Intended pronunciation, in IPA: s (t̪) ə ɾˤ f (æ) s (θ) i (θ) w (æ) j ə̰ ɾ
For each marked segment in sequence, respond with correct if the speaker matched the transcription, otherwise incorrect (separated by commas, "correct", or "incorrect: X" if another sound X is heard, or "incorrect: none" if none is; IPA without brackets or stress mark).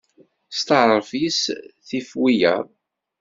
correct, incorrect: i, correct, incorrect: f, incorrect: i